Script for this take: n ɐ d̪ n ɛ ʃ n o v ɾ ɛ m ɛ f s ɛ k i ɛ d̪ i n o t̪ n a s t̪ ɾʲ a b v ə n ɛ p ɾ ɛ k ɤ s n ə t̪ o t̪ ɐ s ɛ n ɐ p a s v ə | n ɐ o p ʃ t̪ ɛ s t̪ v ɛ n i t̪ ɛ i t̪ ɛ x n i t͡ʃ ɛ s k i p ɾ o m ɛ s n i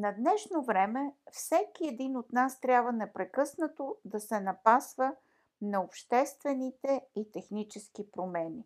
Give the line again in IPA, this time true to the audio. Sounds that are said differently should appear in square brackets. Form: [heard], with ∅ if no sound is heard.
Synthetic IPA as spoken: n ɐ d̪ n ɛ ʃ n o v ɾ ɛ m ɛ f s ɛ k i ɛ d̪ i n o t̪ n a s t̪ ɾʲ a b v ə n ɛ p ɾ ɛ k ɤ s n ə t̪ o [d̪] ɐ s ɛ n ɐ p a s v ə | n ɐ o p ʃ t̪ ɛ s t̪ v ɛ n i t̪ ɛ i t̪ ɛ x n i t͡ʃ ɛ s k i p ɾ o m ɛ [∅] n i